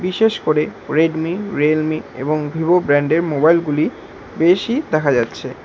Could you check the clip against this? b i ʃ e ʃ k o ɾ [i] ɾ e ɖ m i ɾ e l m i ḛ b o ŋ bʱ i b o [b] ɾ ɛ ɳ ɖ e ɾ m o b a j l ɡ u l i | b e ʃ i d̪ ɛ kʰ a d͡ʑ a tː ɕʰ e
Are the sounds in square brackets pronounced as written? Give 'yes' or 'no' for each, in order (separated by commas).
no, yes